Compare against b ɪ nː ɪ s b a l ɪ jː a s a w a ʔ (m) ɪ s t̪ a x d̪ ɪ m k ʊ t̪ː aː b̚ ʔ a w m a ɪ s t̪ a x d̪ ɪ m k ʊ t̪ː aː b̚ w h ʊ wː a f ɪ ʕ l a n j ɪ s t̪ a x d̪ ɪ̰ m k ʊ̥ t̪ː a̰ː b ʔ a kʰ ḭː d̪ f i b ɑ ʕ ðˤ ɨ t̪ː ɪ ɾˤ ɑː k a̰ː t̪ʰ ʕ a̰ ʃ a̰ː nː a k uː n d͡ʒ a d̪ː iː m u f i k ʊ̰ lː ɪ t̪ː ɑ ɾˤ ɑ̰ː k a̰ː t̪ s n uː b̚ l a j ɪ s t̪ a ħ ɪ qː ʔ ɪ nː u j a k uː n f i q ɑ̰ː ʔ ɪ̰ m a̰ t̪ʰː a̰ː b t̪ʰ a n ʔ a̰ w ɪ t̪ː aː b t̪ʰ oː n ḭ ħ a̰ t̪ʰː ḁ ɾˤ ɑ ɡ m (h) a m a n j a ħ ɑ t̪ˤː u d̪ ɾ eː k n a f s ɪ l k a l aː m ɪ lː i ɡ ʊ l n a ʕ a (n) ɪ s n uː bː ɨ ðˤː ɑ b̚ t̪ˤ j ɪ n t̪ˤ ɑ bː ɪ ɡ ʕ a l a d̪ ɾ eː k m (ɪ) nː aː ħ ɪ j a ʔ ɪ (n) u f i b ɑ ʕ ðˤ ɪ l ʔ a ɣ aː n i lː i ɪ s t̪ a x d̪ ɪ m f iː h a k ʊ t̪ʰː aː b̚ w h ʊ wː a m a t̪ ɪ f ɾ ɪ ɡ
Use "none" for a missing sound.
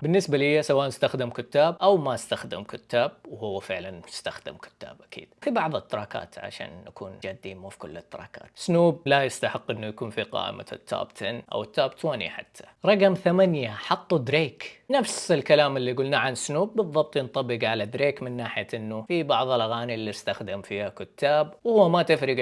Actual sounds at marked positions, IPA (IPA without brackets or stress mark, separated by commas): n, θ, n, ɪ, nː